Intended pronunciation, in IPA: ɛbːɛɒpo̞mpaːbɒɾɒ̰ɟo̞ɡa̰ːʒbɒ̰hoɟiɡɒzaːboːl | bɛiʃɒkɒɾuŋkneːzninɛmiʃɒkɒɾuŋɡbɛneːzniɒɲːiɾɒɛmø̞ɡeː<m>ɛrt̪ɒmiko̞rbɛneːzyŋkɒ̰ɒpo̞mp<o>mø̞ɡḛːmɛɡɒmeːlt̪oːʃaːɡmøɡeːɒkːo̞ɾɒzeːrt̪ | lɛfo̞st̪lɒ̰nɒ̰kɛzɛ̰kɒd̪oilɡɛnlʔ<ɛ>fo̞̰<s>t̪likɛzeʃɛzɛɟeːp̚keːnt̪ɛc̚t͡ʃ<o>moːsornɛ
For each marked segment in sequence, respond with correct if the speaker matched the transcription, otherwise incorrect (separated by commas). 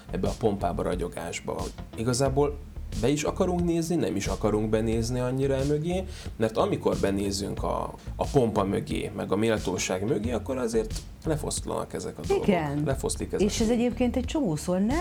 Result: correct, incorrect, correct, correct, correct